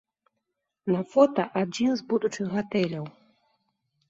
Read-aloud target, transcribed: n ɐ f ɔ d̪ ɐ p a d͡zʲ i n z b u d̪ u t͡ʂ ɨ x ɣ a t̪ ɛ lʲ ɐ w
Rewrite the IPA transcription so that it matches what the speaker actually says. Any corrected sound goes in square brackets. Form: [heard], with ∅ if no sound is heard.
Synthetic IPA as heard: n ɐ f ɔ [t̪] ɐ [ʔ] a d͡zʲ i n z b u d̪ u t͡ʂ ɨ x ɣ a t̪ ɛ lʲ ɐ w